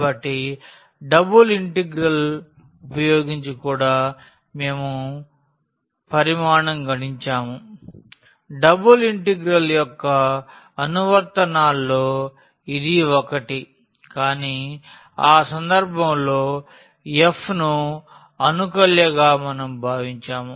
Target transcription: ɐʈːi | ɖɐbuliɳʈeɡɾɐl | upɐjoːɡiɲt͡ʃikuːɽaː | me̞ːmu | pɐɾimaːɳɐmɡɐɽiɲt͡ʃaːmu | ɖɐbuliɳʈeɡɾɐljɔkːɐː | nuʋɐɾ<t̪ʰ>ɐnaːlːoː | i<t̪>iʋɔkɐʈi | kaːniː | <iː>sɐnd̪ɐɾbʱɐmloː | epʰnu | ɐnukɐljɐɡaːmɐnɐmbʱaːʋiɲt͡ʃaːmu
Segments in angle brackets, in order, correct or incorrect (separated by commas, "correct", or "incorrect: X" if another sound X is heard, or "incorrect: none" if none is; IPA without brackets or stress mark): incorrect: t̪, incorrect: d̪, incorrect: aː